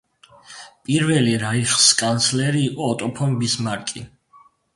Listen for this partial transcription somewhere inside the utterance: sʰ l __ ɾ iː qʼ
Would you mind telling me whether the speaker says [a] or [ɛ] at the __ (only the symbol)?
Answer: ɛ